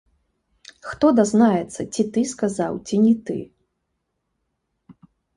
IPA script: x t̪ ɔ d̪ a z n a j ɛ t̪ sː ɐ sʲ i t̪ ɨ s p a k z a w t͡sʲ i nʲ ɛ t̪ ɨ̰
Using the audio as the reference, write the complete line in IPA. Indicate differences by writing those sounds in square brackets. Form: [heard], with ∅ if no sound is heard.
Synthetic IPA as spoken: x t̪ ɔ d̪ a z n a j ɛ t̪ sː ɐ [t͡sʲ] i t̪ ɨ s [k] a [∅] z a w t͡sʲ i nʲ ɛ t̪ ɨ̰

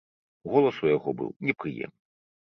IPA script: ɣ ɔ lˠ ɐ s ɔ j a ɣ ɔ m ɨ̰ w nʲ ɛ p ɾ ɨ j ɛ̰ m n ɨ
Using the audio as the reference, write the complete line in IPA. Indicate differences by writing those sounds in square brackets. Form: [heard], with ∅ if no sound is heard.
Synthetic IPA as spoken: ɣ ɔ lˠ ɐ s [u] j a ɣ ɔ [b] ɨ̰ w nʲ ɛ p ɾ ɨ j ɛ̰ m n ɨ

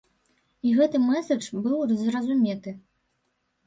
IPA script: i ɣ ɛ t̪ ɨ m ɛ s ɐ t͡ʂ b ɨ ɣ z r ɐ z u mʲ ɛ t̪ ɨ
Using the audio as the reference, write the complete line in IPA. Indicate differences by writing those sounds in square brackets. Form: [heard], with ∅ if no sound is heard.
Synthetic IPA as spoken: i ɣ ɛ t̪ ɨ m ɛ s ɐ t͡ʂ b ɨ [w] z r ɐ z u mʲ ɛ t̪ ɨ

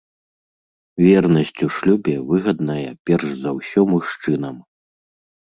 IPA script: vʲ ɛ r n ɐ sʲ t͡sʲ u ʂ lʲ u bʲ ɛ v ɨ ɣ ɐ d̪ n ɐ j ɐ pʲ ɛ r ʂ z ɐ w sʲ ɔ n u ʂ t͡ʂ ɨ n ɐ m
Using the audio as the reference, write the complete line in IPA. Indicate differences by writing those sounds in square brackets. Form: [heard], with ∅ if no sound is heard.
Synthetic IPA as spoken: vʲ ɛ r n ɐ sʲ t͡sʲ u ʂ lʲ u bʲ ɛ v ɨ ɣ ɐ d̪ n ɐ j ɐ pʲ ɛ r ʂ z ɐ w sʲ ɔ [m] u ʂ t͡ʂ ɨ n ɐ m

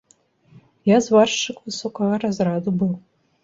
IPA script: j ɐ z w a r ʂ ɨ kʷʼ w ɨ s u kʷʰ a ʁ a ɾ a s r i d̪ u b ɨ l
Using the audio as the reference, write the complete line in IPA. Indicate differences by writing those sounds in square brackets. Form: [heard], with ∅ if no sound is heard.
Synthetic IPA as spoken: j [a] z w a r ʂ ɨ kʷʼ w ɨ s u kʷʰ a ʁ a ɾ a [z] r [a] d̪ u b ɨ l

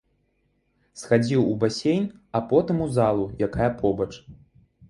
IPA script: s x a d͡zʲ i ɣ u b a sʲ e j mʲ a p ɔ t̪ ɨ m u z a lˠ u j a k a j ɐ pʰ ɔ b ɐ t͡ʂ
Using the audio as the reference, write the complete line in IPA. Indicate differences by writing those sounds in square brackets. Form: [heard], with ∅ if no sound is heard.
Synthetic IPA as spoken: s x a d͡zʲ i [w] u b a sʲ e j [nʲ] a p ɔ t̪ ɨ m u z a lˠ u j a k a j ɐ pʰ ɔ b ɐ t͡ʂ

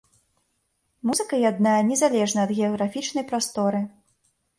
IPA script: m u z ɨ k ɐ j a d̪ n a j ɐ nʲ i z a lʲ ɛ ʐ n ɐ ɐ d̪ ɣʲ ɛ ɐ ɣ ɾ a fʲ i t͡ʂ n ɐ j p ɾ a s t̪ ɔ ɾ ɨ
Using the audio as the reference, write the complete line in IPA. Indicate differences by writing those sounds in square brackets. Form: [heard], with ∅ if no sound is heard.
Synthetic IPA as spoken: m u z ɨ k ɐ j a d̪ n a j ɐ nʲ [ɛ] z a lʲ ɛ ʐ n ɐ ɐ d̪ ɣʲ ɛ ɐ ɣ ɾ a fʲ i t͡ʂ n ɐ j p ɾ a s t̪ ɔ ɾ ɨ

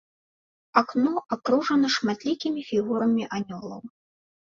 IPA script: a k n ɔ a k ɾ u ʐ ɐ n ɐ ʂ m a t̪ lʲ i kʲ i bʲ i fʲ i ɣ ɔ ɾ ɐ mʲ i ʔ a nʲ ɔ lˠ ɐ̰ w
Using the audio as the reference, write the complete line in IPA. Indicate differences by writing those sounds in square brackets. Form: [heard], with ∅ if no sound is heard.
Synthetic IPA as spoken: a k n ɔ a k ɾ u ʐ ɐ n ɐ ʂ m a t̪ lʲ i kʲ i [mʲ] i fʲ i ɣ [u] ɾ ɐ mʲ i ʔ a nʲ ɔ lˠ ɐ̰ w

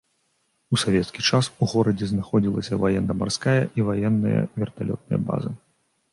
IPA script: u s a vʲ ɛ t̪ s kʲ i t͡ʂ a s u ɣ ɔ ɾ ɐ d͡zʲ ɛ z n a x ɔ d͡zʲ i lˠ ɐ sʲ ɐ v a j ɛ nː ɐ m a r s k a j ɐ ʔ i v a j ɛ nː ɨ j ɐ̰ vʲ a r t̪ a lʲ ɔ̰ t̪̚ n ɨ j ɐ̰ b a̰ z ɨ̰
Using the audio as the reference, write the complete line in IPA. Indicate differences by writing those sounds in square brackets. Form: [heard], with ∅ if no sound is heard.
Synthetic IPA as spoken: u s a vʲ ɛ t̪ s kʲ i t͡ʂ a s u ɣ ɔ ɾ ɐ d͡zʲ ɛ z n a x ɔ d͡zʲ i lˠ ɐ sʲ ɐ v a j ɛ nː ɐ m a r s k a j ɐ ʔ i v a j ɛ nː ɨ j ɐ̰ vʲ [ɛ] r t̪ a lʲ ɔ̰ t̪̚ n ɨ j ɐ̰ b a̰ z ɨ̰

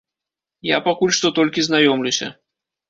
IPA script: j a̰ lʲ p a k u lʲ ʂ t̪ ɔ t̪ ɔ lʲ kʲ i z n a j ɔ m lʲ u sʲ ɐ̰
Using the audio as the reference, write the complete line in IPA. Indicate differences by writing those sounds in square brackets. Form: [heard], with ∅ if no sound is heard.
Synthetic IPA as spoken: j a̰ [∅] p a k u lʲ ʂ t̪ ɔ t̪ ɔ lʲ kʲ i z n a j ɔ m lʲ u sʲ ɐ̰

